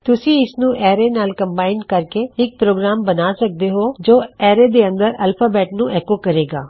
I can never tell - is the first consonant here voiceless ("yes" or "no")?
yes